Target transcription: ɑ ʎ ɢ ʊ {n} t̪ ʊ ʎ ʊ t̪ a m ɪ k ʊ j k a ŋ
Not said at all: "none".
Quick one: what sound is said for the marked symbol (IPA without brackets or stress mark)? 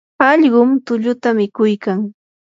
m